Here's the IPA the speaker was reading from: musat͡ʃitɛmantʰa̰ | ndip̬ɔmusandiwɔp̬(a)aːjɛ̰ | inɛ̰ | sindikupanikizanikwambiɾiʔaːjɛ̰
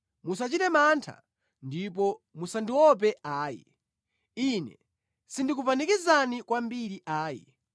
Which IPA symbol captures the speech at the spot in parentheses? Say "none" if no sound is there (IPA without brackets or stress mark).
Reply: ɛ